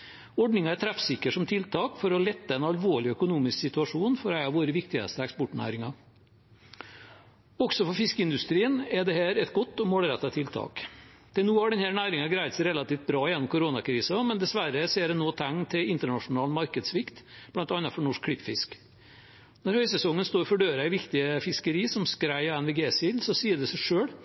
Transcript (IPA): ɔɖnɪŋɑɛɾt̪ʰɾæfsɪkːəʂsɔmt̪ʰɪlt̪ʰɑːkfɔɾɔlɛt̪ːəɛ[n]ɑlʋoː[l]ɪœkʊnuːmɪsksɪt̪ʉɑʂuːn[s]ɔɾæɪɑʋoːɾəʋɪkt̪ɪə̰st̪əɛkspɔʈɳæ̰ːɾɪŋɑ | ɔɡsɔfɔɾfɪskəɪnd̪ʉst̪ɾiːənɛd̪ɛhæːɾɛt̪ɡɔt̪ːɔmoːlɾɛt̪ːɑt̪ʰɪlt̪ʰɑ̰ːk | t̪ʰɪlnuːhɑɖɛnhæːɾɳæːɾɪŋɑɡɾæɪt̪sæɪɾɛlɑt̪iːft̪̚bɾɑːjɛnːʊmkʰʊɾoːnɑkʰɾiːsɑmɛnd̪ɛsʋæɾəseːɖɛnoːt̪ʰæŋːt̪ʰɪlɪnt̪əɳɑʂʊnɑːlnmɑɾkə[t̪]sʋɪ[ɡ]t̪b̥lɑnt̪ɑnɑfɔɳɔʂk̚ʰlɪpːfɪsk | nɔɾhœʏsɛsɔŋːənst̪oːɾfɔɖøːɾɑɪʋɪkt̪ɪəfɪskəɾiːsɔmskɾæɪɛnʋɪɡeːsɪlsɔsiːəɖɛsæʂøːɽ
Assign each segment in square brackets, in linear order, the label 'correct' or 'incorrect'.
correct, incorrect: ɭ, incorrect: f, incorrect: d̪, incorrect: k

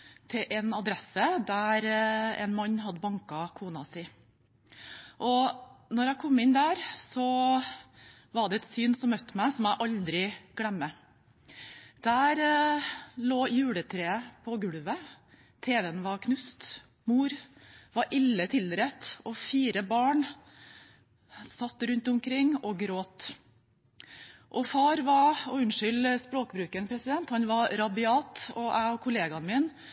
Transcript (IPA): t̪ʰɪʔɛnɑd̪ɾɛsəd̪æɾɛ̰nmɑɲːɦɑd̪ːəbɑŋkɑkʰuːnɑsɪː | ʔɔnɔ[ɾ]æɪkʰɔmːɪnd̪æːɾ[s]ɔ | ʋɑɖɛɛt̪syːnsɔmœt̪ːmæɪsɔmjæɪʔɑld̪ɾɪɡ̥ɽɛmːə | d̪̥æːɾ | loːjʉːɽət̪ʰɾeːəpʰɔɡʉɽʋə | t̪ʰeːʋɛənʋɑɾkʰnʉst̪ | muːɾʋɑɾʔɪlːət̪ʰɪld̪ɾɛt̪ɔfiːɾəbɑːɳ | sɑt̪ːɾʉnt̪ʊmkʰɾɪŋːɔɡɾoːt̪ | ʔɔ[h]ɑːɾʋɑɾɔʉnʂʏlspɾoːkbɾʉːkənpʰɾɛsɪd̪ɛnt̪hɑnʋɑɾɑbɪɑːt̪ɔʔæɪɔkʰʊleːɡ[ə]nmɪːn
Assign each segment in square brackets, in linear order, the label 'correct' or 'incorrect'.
correct, correct, incorrect: f, incorrect: ɑ

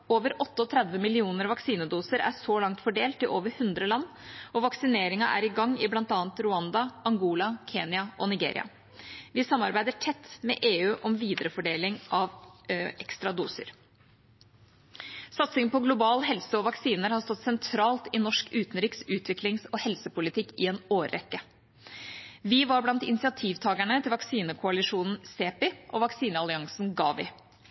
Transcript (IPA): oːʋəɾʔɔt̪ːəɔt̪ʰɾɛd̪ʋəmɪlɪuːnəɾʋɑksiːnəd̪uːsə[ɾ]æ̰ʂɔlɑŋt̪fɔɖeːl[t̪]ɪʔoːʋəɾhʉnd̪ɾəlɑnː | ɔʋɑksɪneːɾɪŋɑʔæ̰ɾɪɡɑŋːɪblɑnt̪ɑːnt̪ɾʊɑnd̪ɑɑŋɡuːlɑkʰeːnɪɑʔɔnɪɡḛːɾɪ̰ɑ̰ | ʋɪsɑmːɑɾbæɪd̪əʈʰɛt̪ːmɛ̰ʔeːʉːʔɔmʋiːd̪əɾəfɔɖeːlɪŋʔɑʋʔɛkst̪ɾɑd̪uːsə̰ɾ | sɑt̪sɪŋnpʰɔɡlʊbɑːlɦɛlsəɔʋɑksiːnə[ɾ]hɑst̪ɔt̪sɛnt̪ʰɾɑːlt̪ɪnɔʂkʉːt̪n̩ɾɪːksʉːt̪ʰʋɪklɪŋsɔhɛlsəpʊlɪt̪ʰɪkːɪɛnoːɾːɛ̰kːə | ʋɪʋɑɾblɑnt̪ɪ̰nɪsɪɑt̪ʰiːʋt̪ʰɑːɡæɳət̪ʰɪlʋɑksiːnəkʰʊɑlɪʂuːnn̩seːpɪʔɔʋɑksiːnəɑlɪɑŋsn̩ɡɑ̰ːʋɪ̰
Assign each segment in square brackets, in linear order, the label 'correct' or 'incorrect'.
correct, correct, correct

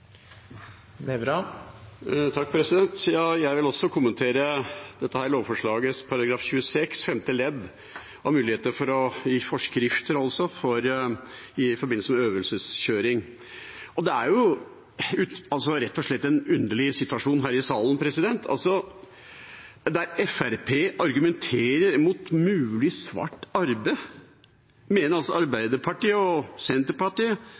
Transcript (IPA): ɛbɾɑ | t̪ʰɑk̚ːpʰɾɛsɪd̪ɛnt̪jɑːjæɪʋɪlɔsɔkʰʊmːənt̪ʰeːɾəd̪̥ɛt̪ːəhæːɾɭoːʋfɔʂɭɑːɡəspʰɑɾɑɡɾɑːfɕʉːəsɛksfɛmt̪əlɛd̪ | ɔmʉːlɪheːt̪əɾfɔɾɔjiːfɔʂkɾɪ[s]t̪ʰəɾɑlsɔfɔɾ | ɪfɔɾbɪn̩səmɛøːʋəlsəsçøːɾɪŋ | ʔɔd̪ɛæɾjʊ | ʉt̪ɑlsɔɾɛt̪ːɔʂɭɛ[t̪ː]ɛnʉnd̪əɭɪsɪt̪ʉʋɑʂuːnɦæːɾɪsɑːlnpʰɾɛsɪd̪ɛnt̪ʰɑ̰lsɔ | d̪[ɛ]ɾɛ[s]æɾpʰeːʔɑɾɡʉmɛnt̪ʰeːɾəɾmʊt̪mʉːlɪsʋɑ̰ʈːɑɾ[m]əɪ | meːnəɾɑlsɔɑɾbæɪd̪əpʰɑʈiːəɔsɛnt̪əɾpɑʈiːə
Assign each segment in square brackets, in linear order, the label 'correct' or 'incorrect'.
incorrect: f, correct, incorrect: æ, incorrect: f, incorrect: b

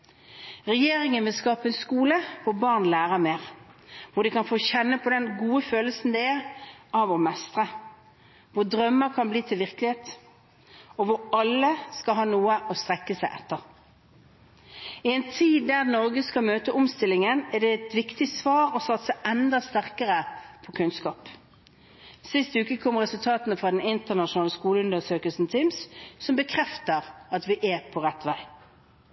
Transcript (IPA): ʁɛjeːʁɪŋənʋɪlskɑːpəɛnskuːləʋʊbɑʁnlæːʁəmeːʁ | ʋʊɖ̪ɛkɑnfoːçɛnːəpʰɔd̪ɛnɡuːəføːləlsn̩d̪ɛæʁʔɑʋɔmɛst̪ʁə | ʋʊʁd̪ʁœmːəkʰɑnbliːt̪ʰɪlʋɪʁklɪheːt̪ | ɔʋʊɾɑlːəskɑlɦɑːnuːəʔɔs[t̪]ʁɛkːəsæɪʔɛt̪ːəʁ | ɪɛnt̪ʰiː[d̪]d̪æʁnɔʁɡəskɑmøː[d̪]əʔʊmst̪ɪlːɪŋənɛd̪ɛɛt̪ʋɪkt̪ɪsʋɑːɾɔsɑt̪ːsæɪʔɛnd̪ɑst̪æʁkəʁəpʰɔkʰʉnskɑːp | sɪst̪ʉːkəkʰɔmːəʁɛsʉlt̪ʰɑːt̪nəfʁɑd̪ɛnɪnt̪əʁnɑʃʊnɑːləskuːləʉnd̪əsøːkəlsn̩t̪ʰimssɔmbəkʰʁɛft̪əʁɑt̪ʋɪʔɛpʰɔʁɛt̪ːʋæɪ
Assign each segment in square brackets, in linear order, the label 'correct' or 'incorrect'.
correct, correct, incorrect: t̪

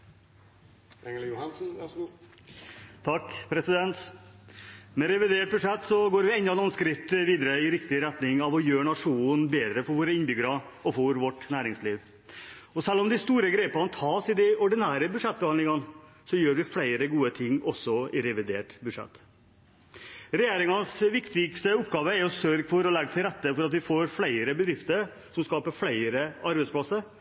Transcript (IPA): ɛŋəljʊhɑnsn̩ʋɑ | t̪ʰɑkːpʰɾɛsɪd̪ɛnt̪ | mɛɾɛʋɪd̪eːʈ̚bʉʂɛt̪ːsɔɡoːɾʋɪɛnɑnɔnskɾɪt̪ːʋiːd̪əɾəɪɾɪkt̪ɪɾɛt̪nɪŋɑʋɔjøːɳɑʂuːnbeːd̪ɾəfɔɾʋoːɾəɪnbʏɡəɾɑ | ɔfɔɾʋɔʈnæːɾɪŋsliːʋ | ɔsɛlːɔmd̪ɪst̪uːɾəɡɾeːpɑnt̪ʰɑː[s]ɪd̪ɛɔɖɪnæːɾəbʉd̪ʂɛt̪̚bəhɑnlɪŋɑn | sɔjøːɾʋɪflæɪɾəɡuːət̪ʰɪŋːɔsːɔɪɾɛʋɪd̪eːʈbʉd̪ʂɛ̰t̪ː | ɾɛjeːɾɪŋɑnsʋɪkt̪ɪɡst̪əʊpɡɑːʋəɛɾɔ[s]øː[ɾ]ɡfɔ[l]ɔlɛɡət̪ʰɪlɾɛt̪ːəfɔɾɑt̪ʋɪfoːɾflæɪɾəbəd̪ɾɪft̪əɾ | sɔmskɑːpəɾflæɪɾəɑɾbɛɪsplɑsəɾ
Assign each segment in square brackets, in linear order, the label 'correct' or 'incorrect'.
correct, correct, correct, incorrect: ɾ

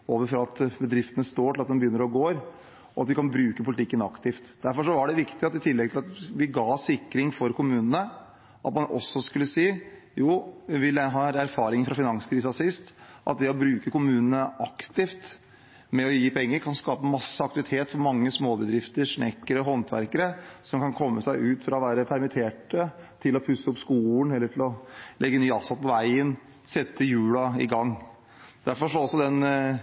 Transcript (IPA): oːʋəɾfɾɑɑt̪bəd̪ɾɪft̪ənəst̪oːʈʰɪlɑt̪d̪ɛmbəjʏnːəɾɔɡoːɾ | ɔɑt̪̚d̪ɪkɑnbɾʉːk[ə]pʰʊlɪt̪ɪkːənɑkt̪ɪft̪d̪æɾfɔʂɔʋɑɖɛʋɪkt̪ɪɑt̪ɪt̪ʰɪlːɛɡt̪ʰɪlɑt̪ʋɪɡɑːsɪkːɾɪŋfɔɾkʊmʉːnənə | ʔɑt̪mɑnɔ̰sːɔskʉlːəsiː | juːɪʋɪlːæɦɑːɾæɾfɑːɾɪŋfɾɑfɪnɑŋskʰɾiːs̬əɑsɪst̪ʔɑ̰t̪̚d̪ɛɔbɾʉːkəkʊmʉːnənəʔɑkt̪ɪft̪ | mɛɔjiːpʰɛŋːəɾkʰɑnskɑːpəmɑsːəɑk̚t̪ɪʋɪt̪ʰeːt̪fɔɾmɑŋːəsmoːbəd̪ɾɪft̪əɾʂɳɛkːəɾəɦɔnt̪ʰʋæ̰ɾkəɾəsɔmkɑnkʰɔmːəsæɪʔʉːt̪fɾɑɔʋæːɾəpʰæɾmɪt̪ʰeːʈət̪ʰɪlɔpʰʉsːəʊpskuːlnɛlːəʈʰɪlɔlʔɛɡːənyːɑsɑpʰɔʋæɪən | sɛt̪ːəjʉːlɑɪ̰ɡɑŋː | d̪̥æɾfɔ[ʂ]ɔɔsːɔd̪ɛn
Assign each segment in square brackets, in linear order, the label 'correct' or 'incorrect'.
correct, correct

